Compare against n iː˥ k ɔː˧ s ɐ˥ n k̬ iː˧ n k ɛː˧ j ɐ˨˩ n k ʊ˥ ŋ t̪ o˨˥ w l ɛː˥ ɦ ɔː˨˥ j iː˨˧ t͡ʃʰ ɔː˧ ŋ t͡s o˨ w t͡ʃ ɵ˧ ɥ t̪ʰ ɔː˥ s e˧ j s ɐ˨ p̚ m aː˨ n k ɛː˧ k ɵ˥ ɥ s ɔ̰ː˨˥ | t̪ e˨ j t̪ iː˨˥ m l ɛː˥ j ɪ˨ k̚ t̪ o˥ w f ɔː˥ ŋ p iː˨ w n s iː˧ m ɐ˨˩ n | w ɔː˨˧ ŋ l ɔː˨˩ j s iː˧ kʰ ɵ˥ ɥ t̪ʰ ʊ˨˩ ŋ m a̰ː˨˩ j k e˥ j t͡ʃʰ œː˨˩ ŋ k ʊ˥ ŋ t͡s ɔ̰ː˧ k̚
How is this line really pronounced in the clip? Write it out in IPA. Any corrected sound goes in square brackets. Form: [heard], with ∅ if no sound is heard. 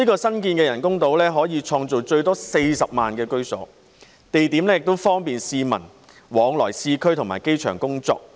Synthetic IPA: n iː˥ k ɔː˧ s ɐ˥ n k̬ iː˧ n k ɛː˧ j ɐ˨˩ n k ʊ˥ ŋ t̪ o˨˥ w l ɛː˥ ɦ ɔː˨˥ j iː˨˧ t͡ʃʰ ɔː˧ ŋ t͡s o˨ w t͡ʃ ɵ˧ ɥ [t̪] ɔː˥ s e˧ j s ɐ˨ p̚ m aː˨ n k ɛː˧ k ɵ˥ ɥ s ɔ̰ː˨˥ | t̪ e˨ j t̪ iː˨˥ m l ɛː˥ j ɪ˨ k̚ t̪ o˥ w f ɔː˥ ŋ p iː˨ [∅] n s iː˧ m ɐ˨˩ n | w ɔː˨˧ ŋ l ɔː˨˩ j s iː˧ kʰ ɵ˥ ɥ t̪ʰ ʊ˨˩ ŋ m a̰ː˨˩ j k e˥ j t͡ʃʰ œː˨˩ ŋ k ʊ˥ ŋ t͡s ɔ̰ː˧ k̚